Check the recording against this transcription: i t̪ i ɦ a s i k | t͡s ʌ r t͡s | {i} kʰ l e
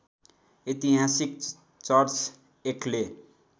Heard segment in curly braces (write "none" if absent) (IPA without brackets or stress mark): e